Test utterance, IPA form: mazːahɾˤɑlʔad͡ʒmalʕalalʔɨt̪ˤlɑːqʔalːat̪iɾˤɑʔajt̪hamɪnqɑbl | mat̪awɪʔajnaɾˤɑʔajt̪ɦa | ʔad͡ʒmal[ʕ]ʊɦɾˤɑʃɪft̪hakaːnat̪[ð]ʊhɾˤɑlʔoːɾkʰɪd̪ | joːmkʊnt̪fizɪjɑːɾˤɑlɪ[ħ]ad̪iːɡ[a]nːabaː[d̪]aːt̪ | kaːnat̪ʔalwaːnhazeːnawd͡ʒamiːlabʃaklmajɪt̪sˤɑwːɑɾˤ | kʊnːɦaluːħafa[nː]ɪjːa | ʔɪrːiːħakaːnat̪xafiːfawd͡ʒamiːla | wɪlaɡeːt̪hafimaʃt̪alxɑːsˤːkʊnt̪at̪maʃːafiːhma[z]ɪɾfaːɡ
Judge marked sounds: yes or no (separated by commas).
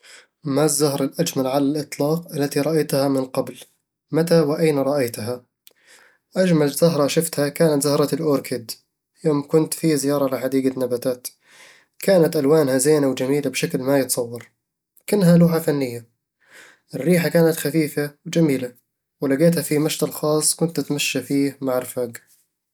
no, no, yes, yes, no, yes, no